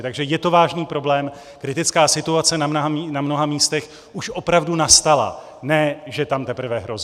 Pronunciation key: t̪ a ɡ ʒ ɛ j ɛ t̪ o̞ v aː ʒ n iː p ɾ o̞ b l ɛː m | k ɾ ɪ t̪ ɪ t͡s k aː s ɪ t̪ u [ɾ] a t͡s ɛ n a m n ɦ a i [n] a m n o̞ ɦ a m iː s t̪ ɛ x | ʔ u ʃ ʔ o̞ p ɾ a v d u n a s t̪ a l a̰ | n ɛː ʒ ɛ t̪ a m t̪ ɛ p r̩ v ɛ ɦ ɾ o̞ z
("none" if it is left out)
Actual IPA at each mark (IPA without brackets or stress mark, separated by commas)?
none, n